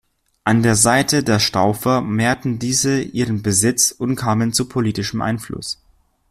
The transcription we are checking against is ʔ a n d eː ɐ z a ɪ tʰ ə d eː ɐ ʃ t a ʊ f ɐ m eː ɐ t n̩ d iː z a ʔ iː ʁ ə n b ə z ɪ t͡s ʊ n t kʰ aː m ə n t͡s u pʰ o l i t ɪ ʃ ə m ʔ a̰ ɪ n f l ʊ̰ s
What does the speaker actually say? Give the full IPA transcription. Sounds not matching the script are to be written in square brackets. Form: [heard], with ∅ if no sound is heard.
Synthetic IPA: ʔ a n d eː ɐ z a ɪ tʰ ə d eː ɐ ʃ t a ʊ f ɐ m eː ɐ t n̩ d iː z [ə] ʔ iː ʁ ə n b ə z ɪ t͡s ʊ n t kʰ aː m ə n t͡s u pʰ o l [iː] t ɪ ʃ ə m ʔ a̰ ɪ n f l ʊ̰ s